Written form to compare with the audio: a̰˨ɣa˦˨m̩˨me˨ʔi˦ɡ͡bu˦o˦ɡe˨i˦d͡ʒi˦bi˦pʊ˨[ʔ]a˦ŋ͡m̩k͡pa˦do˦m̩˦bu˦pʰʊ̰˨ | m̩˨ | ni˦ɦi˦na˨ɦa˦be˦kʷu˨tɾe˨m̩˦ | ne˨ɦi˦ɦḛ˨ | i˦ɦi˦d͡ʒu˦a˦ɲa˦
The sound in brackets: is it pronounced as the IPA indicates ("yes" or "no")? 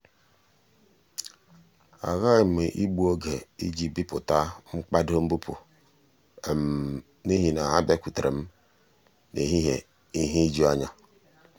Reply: no